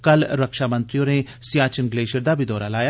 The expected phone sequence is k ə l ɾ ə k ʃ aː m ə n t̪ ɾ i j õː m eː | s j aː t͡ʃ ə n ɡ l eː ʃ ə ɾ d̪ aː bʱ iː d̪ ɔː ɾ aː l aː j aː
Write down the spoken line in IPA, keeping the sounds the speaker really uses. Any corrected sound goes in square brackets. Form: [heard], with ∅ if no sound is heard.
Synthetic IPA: k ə l ɾ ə k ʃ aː m ə n t̪ ɾ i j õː [n] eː | s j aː t͡ʃ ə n ɡ l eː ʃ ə ɾ d̪ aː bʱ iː d̪ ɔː ɾ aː l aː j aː